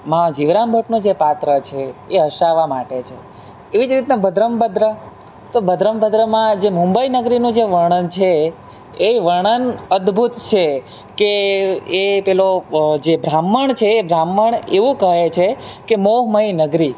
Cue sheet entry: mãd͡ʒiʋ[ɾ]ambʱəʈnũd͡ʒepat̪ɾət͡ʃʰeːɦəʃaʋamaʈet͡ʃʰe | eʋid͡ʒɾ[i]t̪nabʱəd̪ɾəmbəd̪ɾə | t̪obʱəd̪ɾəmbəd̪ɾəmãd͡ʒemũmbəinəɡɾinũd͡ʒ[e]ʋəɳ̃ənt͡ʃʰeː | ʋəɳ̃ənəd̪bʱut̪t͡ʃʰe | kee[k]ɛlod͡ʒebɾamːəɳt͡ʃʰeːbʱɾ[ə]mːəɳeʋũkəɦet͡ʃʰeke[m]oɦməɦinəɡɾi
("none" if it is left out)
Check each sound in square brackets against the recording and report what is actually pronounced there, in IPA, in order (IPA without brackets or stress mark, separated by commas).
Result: ɾ, i, e, p, a, m